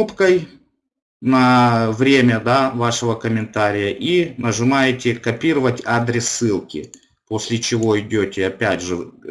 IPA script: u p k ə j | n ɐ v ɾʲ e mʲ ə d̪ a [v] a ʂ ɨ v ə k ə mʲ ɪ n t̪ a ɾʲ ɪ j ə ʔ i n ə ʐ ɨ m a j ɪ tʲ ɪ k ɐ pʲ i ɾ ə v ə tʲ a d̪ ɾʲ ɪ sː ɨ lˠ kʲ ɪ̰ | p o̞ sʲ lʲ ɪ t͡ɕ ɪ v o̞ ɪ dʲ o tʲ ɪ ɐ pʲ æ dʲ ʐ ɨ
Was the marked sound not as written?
no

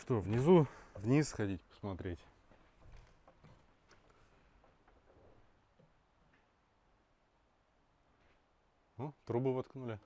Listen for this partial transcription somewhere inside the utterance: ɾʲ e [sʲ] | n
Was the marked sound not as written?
yes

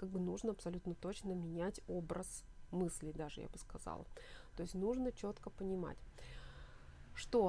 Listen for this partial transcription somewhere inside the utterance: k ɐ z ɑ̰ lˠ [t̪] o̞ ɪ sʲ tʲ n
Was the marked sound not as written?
no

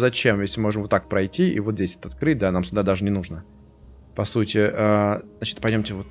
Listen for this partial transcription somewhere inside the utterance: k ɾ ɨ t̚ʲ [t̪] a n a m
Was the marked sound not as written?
yes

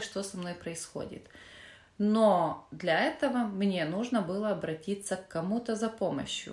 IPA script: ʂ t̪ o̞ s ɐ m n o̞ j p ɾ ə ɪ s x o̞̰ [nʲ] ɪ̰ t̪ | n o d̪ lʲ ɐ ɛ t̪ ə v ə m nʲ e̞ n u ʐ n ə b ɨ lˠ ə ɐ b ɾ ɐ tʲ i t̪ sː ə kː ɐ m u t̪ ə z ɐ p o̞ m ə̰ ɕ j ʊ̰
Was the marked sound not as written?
yes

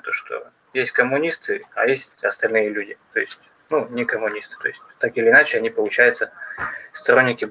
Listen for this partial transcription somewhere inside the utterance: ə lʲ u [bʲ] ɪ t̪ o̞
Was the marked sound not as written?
yes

